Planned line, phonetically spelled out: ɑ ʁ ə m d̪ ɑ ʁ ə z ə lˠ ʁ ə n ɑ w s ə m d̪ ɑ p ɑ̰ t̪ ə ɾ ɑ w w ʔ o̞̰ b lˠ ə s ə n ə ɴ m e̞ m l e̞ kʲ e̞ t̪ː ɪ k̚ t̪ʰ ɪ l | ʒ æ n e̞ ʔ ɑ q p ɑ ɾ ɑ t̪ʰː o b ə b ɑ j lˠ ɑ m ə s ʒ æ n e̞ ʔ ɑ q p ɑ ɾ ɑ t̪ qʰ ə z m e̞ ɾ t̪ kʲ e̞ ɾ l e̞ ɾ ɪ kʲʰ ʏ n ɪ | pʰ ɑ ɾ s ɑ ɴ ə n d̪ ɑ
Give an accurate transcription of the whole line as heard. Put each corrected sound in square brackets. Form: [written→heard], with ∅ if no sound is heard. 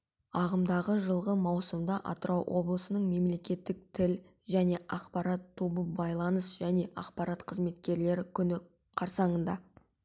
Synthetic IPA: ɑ ʁ ə m d̪ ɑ ʁ ə [z→ʒ] ə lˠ ʁ ə [n→m] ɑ w s ə m d̪ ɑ [p→ʔ] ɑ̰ t̪ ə ɾ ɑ w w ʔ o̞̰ b lˠ ə s ə n ə ɴ m e̞ m l e̞ kʲ e̞ t̪ː ɪ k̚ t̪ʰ ɪ l | ʒ æ n e̞ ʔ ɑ q p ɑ ɾ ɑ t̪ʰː o b ə b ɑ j lˠ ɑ [m→n] ə s ʒ æ n e̞ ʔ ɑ q p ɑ ɾ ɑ t̪ qʰ ə z m e̞ [ɾ→∅] t̪ kʲ e̞ ɾ l e̞ ɾ ɪ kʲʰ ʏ n ɪ | [pʰ→qʰ] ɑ ɾ s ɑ ɴ ə n d̪ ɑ